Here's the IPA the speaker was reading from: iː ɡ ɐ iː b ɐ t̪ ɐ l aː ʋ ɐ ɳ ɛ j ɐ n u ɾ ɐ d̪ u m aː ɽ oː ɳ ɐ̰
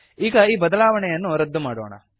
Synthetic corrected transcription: iː ɡ ɐ iː b ɐ d̪ ɐ l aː ʋ ɐ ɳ ɛ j ɐ nː u ɾ ɐ d̪ː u m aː ɽ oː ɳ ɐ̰